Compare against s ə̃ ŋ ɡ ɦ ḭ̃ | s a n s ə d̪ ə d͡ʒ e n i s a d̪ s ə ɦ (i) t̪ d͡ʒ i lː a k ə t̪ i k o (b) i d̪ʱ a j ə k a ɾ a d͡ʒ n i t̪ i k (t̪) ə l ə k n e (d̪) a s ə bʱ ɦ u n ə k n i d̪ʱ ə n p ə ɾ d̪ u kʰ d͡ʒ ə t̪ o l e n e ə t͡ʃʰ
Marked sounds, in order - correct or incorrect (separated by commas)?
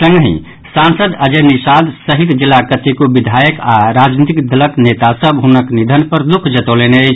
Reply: correct, correct, incorrect, incorrect